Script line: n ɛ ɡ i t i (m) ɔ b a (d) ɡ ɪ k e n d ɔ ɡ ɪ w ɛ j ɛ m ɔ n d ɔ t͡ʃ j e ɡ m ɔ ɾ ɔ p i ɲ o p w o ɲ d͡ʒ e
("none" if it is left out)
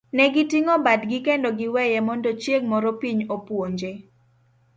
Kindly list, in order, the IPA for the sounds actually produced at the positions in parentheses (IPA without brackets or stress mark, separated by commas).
ŋ, d